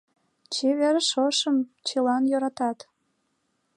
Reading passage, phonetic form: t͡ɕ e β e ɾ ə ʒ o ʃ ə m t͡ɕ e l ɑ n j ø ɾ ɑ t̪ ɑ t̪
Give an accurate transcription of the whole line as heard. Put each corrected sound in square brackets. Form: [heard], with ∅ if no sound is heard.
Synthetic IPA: t͡ɕ e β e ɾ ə [ʃ] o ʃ ə m t͡ɕ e l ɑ n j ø ɾ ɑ t̪ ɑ t̪